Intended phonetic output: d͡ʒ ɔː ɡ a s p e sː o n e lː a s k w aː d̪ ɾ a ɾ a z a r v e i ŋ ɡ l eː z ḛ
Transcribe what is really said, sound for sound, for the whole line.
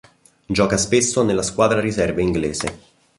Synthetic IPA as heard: d͡ʒ ɔː k a s p e sː o n e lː a s k w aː d̪ ɾ a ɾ i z ɛ r v e i ŋ ɡ l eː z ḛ